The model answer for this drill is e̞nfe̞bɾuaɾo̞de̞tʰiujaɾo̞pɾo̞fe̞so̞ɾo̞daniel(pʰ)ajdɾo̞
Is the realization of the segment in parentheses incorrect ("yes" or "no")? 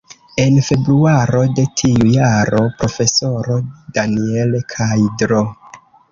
yes